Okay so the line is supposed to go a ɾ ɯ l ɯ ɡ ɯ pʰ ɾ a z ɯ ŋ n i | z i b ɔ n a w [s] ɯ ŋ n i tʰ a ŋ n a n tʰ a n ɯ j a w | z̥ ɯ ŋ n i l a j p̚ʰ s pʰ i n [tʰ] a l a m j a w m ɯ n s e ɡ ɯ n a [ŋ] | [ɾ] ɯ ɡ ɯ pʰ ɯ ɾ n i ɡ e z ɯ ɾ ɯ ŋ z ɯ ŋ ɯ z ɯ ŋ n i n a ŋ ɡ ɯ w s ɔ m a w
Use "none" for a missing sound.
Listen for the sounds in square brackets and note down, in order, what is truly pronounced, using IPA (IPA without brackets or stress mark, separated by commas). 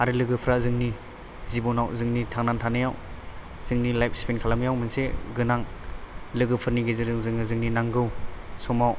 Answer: z, kʰ, ŋ, l